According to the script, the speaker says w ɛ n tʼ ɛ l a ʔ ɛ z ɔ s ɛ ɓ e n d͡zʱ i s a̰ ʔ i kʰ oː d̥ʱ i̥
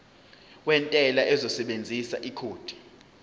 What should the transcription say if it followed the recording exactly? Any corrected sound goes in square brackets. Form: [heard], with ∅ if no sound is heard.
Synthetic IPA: w ɛ n tʼ ɛ l a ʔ ɛ z ɔ s ɛ ɓ e n d͡zʱ i s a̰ ʔ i kʰ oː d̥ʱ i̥

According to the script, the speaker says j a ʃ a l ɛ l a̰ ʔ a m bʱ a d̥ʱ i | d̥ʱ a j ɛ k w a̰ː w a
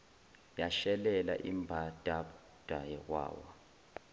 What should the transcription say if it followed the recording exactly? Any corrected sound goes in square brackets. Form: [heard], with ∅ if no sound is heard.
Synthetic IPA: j a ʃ [ɛ] l ɛ l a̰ ʔ [i] m bʱ a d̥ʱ [a] | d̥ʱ a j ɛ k w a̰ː w a

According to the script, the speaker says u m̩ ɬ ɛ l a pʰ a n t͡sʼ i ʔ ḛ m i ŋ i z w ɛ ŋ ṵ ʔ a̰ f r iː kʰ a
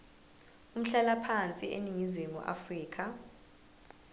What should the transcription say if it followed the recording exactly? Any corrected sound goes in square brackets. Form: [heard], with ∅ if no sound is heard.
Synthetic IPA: u m̩ ɬ ɛ l a pʰ a n t͡sʼ i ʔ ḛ [n] i ŋ i z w [e] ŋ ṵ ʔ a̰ f r iː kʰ a

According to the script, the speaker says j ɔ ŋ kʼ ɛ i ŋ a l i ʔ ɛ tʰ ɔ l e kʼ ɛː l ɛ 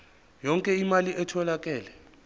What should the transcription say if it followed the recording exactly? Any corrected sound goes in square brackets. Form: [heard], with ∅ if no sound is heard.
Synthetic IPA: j ɔ ŋ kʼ ɛ i [m] a l i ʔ ɛ tʰ ɔ l [a] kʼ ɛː l ɛ

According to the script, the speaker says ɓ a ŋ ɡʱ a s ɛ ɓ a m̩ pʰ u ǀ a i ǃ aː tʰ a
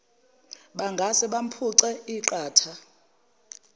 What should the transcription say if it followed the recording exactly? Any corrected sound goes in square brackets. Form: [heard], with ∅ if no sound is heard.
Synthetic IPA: ɓ a ŋ ɡʱ a s ɛ ɓ a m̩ pʰ u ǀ [ɛ] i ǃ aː tʰ a

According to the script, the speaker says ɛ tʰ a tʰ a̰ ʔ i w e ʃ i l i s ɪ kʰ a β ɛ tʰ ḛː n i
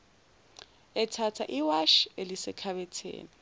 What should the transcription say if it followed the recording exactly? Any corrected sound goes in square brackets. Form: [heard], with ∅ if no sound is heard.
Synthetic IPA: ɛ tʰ a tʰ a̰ ʔ i w [a] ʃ [e] l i s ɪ kʰ a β ɛ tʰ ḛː n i

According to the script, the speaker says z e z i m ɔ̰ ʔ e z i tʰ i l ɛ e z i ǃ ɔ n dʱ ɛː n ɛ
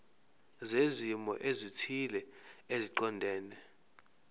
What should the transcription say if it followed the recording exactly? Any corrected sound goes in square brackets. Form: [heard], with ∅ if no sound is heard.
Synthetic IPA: z e z i m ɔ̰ ʔ e z i tʰ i l ɛ e z i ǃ ɔ n dʱ ɛː n ɛ

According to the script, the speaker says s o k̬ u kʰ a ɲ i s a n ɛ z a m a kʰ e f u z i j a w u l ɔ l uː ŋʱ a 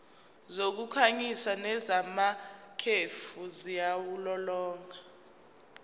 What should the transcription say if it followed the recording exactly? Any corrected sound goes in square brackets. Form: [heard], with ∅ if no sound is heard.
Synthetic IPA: [z] o k̬ u kʰ a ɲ i s a n ɛ z a m a kʰ e f u z i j a w u l ɔ l [ɔː] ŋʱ a

